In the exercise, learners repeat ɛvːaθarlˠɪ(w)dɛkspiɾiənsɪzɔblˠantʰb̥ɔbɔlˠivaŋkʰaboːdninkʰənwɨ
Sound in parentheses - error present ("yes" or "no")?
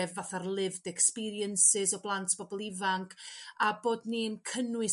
yes